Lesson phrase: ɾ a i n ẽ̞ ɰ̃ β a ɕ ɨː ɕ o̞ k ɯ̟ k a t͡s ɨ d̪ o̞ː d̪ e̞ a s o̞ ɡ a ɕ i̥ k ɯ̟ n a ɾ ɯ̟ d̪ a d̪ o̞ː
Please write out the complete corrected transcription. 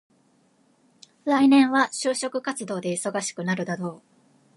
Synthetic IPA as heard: ɾ a i n ẽ̞ ɰ̃ β a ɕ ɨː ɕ o̞ k ɯ̟ k a t͡s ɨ d̪ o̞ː d̪ e̞ i s o̞ ɡ a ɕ i̥ k ɯ̟ n a ɾ ɯ̟ d̪ a d̪ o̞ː